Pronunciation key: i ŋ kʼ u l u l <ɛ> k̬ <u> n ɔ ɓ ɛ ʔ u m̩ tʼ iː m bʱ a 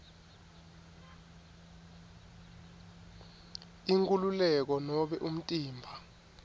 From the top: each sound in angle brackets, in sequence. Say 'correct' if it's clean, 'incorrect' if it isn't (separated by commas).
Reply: correct, incorrect